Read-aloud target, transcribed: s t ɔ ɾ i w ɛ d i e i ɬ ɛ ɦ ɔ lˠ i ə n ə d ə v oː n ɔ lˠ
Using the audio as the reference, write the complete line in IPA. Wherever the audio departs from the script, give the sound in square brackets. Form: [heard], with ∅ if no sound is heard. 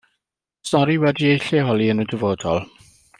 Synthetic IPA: s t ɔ ɾ i w ɛ d i e [j] ɬ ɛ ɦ ɔ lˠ i ə n ə d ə v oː [d] ɔ lˠ